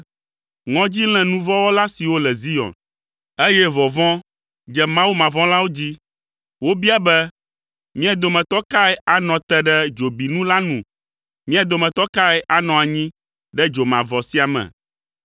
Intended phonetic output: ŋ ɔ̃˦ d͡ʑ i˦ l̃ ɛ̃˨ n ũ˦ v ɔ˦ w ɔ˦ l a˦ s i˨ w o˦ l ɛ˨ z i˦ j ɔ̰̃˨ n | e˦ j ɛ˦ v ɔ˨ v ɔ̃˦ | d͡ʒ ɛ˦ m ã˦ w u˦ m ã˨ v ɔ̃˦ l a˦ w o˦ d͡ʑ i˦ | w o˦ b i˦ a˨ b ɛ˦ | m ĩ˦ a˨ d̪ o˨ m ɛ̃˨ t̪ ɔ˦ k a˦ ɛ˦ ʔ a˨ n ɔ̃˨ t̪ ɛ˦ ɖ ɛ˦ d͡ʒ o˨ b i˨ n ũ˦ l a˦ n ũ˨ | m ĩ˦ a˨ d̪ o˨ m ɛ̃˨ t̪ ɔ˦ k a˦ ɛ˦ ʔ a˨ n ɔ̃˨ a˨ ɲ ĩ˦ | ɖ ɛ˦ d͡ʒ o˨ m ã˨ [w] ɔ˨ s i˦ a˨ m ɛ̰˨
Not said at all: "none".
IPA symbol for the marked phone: v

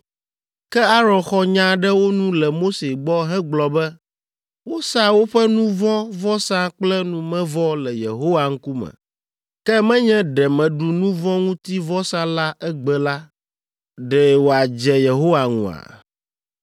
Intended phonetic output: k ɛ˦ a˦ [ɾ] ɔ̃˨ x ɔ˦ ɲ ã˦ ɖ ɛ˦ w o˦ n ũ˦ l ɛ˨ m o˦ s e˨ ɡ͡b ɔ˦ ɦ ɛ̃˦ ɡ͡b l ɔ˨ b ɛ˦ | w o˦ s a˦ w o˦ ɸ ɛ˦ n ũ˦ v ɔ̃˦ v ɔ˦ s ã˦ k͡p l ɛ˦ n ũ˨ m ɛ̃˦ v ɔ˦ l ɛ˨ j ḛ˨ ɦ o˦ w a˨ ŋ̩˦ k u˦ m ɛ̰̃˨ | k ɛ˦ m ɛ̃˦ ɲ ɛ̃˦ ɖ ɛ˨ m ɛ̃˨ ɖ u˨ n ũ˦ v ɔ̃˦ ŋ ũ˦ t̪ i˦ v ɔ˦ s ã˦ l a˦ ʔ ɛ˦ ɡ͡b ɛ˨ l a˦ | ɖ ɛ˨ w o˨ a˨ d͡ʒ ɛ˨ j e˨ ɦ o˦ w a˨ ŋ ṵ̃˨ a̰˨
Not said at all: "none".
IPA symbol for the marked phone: ɾ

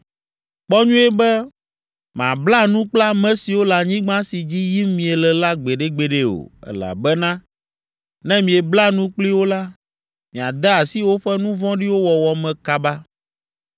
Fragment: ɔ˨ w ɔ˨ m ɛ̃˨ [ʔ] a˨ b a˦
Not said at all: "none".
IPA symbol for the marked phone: k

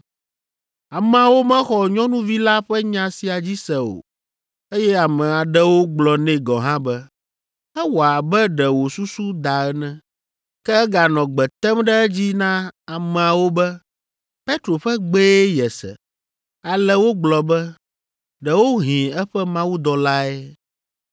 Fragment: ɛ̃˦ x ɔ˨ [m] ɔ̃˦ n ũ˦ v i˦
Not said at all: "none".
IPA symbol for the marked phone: ɲ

